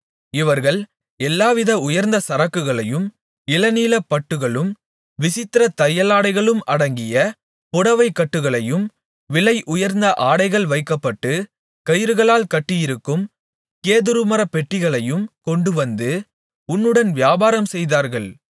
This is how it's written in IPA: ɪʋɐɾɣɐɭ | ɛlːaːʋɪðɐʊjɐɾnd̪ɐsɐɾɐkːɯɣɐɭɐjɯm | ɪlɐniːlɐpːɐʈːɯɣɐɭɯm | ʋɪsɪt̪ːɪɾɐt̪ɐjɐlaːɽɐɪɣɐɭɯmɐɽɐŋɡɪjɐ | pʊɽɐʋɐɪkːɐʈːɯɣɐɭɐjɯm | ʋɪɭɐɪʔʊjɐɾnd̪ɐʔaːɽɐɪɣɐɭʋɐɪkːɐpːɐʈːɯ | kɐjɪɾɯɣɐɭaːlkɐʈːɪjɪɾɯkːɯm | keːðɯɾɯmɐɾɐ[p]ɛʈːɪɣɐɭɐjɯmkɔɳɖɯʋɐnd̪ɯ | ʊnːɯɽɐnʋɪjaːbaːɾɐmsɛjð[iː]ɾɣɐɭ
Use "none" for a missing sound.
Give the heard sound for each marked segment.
p, aː

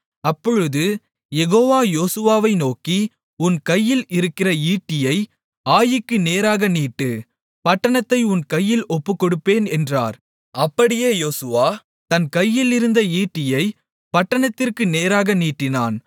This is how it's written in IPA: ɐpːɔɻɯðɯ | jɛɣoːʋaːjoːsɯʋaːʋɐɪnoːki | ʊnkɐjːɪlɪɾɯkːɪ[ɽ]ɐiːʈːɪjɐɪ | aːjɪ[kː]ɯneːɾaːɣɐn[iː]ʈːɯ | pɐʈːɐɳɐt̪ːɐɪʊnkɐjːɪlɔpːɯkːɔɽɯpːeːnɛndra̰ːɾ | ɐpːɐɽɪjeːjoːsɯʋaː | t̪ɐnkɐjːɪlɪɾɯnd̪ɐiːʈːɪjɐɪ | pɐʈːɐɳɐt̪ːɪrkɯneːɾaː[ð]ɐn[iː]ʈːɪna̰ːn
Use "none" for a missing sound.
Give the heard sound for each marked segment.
r, kː, iː, ɣ, iː

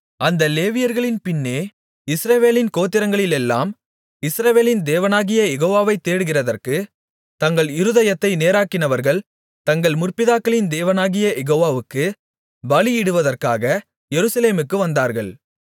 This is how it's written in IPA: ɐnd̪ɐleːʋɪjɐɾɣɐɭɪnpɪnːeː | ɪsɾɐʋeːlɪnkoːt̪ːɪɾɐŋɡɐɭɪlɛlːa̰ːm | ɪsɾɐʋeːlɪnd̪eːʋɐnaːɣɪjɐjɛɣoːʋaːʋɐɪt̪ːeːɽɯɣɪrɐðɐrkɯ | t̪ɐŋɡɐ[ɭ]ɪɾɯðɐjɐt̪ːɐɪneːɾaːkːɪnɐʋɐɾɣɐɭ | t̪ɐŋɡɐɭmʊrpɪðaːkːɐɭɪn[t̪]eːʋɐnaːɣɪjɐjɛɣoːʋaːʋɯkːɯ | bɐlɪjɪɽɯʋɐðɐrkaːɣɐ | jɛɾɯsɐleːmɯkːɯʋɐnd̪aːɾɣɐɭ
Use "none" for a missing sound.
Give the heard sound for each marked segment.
ɭ, d̪

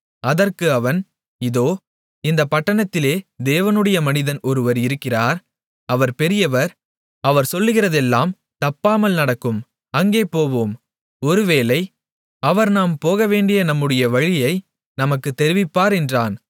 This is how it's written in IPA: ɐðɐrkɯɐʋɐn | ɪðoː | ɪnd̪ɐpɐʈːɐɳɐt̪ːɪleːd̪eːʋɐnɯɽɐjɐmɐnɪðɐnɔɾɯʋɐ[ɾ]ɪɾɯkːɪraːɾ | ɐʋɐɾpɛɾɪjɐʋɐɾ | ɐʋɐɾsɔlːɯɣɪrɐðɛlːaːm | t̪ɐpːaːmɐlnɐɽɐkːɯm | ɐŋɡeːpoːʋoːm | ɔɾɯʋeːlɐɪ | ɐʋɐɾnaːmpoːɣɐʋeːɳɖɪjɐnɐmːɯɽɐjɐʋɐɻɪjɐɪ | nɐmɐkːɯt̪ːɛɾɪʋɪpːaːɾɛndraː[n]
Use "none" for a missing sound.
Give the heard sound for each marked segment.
ɾ, n

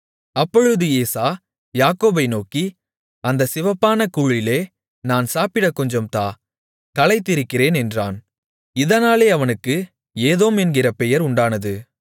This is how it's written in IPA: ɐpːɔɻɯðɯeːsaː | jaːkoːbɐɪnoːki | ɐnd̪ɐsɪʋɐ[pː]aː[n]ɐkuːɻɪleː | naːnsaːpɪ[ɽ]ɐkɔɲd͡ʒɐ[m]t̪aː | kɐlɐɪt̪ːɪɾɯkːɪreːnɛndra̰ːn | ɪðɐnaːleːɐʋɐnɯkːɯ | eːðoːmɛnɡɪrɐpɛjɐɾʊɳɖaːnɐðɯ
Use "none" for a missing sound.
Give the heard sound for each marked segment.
pː, n, ɽ, m

